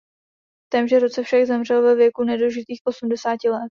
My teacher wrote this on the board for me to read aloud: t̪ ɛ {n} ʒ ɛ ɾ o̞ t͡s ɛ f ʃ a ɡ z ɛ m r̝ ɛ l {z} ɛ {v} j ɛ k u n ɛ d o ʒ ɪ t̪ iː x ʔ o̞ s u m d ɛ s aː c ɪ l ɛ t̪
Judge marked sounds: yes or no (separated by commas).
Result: no, no, yes